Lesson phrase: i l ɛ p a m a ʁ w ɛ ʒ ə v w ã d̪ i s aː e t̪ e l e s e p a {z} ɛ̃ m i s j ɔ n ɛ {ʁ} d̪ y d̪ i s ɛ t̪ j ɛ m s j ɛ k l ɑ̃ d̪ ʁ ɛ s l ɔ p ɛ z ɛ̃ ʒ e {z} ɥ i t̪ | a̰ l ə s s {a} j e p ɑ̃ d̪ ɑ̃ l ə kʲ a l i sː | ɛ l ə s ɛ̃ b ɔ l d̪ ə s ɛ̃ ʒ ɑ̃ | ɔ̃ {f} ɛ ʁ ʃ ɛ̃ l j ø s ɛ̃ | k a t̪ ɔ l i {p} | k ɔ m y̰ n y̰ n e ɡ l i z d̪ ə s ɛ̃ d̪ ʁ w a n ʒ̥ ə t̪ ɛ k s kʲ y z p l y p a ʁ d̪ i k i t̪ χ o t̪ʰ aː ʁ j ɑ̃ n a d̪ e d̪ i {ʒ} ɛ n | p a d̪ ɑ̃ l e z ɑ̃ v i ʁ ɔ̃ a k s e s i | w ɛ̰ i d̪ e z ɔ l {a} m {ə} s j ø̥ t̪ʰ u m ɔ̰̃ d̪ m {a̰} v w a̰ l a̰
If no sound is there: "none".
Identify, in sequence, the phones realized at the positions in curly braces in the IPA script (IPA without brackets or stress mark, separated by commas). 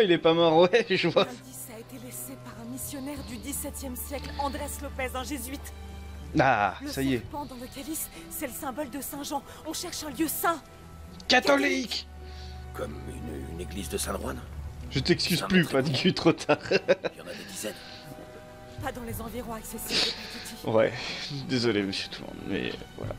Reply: ʁ, ʁ, z, a, ʃ, k, z, e, ə, ɛ̰